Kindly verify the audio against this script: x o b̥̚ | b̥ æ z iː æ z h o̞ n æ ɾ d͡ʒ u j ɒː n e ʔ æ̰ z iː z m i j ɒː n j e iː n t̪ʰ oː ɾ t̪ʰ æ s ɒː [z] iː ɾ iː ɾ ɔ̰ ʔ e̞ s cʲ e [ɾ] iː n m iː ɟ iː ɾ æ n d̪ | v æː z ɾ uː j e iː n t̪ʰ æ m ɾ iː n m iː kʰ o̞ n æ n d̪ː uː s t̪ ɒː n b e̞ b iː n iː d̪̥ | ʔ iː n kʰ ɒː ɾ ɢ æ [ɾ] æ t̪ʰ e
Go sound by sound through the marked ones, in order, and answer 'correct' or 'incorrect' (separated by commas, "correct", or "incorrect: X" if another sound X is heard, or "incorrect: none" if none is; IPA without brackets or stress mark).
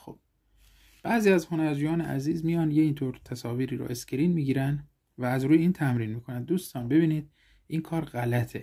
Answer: incorrect: v, correct, incorrect: l